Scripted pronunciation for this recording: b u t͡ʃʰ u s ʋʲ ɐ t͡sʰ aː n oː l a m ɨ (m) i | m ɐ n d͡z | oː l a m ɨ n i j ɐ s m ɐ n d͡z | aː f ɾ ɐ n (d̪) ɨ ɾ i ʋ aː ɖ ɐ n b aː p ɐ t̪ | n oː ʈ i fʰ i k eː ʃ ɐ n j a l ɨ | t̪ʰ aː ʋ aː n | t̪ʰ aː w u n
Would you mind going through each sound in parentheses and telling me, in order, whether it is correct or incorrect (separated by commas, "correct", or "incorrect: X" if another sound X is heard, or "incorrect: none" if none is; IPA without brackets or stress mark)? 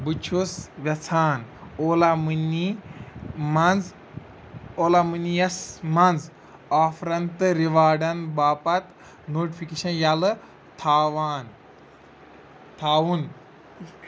incorrect: n, incorrect: t̪